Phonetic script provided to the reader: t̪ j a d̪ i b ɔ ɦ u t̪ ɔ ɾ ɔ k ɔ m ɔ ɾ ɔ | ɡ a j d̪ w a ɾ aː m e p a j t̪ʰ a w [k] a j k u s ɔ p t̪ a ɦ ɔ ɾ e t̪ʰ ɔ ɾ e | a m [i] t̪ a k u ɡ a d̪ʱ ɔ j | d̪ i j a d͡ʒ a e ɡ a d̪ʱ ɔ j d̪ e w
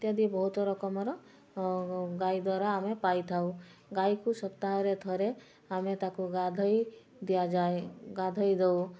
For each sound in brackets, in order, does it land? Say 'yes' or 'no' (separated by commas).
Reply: no, no